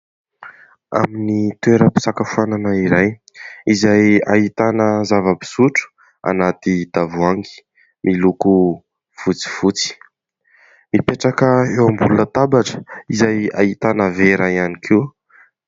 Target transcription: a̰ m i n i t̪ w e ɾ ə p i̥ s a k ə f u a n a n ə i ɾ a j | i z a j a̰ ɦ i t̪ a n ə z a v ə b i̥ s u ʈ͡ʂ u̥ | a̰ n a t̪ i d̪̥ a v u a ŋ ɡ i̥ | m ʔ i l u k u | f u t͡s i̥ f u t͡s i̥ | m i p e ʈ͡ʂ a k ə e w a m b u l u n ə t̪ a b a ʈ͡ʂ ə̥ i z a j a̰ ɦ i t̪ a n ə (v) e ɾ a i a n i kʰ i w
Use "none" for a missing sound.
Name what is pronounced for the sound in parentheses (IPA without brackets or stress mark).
v